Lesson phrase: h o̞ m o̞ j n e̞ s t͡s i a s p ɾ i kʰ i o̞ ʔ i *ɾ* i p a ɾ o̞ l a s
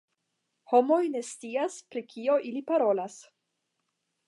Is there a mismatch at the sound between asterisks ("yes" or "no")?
yes